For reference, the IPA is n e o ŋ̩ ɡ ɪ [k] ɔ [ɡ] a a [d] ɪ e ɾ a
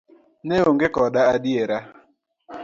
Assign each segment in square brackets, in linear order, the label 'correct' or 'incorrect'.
correct, incorrect, correct

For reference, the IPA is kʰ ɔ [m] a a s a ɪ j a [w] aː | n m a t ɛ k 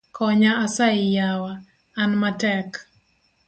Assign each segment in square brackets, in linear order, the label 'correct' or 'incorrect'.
incorrect, correct

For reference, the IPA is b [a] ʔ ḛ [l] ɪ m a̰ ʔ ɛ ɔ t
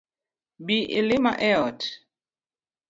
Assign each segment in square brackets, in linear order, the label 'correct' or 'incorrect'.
incorrect, correct

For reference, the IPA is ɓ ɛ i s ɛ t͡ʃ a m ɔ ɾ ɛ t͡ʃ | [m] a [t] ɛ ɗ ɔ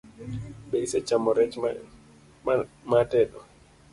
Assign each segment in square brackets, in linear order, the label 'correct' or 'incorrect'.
correct, correct

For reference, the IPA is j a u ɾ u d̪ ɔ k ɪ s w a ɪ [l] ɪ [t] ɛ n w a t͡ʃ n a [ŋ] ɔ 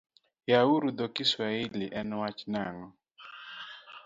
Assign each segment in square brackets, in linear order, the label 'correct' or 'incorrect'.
correct, incorrect, correct

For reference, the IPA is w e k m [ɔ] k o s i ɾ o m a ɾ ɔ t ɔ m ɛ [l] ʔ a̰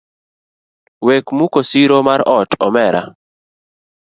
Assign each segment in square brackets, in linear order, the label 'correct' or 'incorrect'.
incorrect, incorrect

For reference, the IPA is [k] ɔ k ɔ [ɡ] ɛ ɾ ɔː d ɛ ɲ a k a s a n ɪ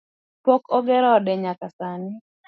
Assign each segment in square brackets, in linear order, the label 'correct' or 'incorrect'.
incorrect, correct

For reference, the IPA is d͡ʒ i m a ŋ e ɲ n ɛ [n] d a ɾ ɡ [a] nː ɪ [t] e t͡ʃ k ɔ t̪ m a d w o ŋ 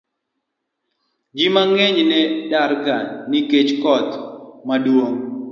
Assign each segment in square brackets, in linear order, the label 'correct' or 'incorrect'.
incorrect, correct, incorrect

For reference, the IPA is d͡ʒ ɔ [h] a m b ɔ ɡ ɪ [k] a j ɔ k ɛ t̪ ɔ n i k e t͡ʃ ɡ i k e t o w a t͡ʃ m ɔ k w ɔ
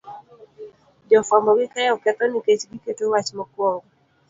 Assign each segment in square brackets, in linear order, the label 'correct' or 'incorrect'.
incorrect, correct

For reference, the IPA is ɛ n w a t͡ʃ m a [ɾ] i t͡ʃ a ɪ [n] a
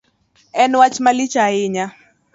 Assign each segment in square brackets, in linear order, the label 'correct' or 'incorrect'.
incorrect, incorrect

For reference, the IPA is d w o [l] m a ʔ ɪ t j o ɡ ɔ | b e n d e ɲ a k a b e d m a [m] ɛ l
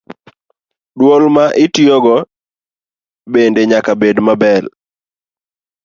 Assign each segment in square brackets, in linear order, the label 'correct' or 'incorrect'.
correct, incorrect

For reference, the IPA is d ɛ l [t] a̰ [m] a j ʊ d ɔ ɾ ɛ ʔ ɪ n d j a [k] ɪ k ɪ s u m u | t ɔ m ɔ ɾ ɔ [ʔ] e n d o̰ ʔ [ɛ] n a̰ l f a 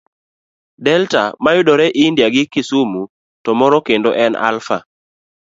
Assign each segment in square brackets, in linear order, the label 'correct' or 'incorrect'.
correct, correct, incorrect, incorrect, correct

